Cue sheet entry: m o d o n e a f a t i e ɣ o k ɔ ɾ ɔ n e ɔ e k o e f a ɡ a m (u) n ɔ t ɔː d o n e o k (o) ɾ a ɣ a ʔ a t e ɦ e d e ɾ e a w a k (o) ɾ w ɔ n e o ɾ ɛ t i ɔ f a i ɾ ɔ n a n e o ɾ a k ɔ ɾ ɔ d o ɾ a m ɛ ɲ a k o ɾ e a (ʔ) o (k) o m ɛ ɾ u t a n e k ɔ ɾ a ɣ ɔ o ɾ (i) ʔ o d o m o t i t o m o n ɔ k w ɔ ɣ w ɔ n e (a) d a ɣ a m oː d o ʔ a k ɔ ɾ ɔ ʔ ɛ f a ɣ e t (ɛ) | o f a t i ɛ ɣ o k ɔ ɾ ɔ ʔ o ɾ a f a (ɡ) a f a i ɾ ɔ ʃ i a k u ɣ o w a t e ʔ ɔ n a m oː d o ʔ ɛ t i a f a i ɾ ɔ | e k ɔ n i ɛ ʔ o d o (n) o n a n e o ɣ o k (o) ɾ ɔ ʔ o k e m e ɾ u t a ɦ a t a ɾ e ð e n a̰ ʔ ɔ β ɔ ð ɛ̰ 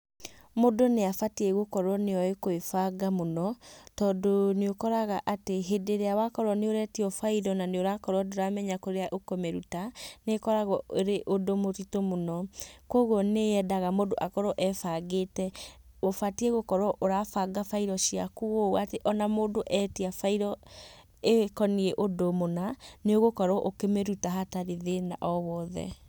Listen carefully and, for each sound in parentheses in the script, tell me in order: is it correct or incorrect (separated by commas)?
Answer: incorrect, incorrect, incorrect, correct, correct, incorrect, incorrect, correct, correct, incorrect, incorrect